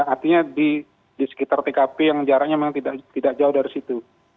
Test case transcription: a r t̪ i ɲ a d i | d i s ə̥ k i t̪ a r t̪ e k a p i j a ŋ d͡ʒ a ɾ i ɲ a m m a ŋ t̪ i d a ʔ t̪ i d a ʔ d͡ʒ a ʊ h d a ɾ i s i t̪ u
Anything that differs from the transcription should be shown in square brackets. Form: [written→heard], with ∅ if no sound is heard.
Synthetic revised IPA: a r t̪ i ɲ a d i | d i s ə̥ k i t̪ a r t̪ e k a p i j a ŋ d͡ʒ a ɾ [i→a] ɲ a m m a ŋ t̪ i d a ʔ t̪ i d a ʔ d͡ʒ a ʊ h d a ɾ i s i t̪ u